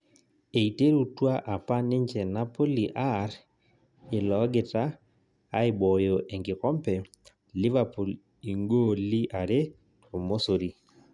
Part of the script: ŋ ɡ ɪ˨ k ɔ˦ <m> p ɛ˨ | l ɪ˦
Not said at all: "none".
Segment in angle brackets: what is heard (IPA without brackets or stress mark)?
m